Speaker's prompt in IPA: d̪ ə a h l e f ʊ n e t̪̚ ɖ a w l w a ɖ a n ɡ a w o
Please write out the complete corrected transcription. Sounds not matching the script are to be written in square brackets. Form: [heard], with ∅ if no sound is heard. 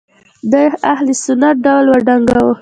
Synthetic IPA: d̪ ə a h l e [s] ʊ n [a] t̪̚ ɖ a w l w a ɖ a [ŋ] ɡ a w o